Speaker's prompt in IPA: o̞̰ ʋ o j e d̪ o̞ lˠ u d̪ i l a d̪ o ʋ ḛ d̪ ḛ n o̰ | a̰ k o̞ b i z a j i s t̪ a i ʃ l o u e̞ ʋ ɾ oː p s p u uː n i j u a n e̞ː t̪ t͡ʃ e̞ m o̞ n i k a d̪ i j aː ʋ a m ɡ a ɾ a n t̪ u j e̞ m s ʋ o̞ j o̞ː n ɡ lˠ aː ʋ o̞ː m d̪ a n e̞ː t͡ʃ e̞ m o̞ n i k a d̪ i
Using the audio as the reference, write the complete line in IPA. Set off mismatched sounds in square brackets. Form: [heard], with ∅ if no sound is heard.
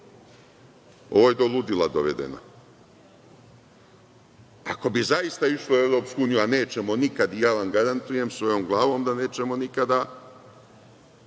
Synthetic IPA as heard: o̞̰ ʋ o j e d̪ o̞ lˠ u d̪ i l a d̪ o ʋ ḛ d̪ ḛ n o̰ | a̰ k o̞ b i z a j i s t̪ a i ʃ l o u e̞ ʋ ɾ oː p s [k] u uː n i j u a n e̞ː [∅] t͡ʃ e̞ m o̞ n i k a d̪ i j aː ʋ a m ɡ a ɾ a n t̪ u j e̞ m s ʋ o̞ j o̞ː [m] ɡ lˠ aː ʋ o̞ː m d̪ a n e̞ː t͡ʃ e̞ m o̞ n i k a d̪ [a]

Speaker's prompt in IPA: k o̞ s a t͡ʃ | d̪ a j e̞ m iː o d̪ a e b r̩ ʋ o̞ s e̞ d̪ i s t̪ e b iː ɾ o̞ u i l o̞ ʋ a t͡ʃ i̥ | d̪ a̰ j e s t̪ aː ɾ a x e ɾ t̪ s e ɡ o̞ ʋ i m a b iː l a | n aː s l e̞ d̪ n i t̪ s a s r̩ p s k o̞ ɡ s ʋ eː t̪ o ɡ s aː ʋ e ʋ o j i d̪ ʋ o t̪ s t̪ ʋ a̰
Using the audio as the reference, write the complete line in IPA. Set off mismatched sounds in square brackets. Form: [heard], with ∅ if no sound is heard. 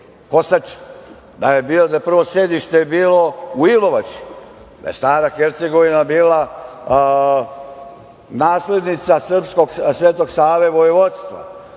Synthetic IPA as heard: k o̞ s a t͡ʃ | d̪ a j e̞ [b] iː o d̪ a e [p] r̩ ʋ o̞ s e̞ d̪ i [ʃ] t̪ e b iː [l] o̞ u i l o̞ ʋ a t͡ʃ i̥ | d̪ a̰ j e s t̪ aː ɾ a x e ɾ t̪ s e ɡ o̞ ʋ i [n] a b iː l a | n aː s l e̞ d̪ n i t̪ s a s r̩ p s k o̞ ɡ s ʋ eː t̪ o ɡ s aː ʋ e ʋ o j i [∅] ʋ o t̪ s t̪ ʋ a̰

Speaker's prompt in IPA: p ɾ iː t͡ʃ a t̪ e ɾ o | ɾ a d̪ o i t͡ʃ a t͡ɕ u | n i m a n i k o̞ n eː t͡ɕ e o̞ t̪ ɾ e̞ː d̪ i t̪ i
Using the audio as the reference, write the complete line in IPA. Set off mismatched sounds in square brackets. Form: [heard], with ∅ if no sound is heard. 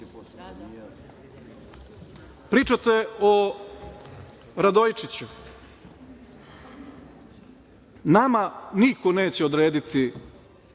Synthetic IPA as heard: p ɾ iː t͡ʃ a t̪ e [∅] o | ɾ a d̪ o [j] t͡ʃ [i] t͡ɕ u | n [a] m a n i k o̞ n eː t͡ɕ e o̞ [d̪] ɾ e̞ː d̪ i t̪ i

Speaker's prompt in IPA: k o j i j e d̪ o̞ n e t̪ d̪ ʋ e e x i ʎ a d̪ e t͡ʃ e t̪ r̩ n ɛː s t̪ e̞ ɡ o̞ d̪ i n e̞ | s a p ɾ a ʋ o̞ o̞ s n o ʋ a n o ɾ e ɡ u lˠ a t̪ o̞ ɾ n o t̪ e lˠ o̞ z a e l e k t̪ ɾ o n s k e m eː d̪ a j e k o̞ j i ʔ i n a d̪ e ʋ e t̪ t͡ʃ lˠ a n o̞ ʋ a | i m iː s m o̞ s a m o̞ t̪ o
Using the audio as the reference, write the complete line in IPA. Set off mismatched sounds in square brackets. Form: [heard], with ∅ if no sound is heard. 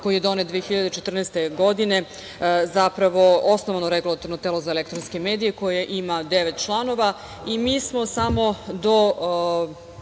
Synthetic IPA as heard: k o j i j e d̪ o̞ n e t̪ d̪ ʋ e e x i ʎ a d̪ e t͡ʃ e t̪ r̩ n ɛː s t̪ e̞ ɡ o̞ d̪ i n e̞ | [z] a p ɾ a ʋ o̞ o̞ s n o ʋ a n o ɾ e ɡ u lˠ a t̪ o̞ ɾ n o t̪ e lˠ o̞ z a e l e k t̪ ɾ o n s k e m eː d̪ [i] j e k o̞ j [e] ʔ i [m] a d̪ e ʋ e t̪ t͡ʃ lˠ a n o̞ ʋ a | i m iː s m o̞ s a m o̞ [d̪] o

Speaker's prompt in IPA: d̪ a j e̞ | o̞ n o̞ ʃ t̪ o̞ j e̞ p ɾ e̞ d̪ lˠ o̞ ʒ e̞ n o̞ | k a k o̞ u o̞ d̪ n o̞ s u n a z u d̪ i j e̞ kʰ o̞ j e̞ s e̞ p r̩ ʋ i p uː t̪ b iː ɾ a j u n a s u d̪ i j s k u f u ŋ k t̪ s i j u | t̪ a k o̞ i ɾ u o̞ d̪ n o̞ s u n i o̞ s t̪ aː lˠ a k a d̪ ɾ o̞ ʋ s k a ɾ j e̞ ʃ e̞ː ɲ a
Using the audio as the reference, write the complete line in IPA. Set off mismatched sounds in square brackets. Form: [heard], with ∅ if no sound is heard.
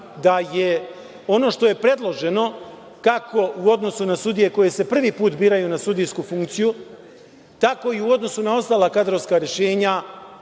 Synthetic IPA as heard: d̪ a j e̞ | o̞ n o̞ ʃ t̪ o̞ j e̞ p ɾ e̞ d̪ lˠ o̞ ʒ e̞ n o̞ | k a k o̞ u o̞ d̪ n o̞ s u n a [s] u d̪ i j e̞ [k] o̞ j e̞ s e̞ p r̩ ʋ i p uː t̪ b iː ɾ a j u n a s u d̪ i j s k u f u ŋ k t̪ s i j u | t̪ a k o̞ i [∅] u o̞ d̪ n o̞ s u n [a] o̞ s t̪ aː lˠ a k a d̪ ɾ o̞ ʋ s k a ɾ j e̞ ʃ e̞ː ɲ a

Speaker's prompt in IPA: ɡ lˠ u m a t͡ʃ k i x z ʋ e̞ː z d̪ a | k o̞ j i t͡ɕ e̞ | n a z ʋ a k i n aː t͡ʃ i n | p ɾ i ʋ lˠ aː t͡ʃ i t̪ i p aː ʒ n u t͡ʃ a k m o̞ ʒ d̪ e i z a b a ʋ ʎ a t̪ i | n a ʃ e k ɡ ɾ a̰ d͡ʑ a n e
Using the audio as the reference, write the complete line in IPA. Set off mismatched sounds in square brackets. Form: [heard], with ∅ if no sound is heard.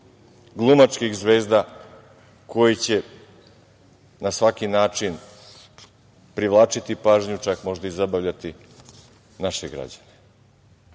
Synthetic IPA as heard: ɡ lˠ u m a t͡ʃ k i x z ʋ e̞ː z d̪ a | k o̞ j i t͡ɕ e̞ | n a [s] ʋ a k i n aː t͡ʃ i n | p ɾ i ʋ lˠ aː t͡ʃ i t̪ i p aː ʒ [ɲ] u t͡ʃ a k m o̞ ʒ d̪ [a] i z a b a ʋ ʎ a t̪ i | n a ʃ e [∅] ɡ ɾ a̰ d͡ʑ a n e

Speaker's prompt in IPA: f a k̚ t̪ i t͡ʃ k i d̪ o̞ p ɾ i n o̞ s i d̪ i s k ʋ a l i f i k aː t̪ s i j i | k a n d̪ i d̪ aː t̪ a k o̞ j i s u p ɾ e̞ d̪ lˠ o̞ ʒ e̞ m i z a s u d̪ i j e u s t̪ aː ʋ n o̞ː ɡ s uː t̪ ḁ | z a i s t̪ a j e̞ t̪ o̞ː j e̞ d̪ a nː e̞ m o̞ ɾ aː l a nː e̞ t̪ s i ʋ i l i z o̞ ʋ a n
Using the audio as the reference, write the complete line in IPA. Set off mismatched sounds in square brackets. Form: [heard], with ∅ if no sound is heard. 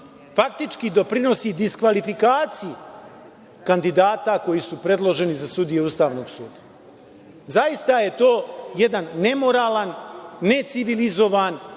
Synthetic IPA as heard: f a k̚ t̪ i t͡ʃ k i d̪ o̞ p ɾ i n o̞ s i d̪ i s k ʋ a l i f i k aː t̪ s i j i | k a n d̪ i d̪ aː t̪ a k o̞ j i s u p ɾ e̞ d̪ lˠ o̞ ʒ e̞ [n] i z a s u d̪ i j e u s t̪ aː ʋ n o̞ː ɡ s uː [d̪] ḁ | z a i s t̪ a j e̞ t̪ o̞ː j e̞ d̪ a nː e̞ m o̞ ɾ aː l a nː e̞ t̪ s i ʋ i l i z o̞ ʋ a n

